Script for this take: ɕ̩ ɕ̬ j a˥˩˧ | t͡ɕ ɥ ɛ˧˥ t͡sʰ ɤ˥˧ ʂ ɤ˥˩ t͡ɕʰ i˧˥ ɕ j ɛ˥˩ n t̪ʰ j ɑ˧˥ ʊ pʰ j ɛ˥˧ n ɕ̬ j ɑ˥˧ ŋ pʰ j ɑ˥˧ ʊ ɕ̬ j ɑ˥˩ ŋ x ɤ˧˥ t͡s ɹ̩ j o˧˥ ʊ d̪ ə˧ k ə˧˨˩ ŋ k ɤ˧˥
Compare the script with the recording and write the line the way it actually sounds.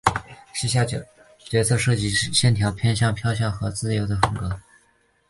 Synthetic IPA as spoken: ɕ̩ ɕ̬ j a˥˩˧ | t͡ɕ ɥ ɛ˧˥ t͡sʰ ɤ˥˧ ʂ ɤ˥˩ t͡ɕ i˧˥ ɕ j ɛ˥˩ n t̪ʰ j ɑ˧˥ ʊ pʰ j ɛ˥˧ n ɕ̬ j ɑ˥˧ ŋ pʰ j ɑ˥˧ ʊ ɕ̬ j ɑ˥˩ ŋ x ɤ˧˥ t͡s ɹ̩ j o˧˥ ʊ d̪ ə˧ x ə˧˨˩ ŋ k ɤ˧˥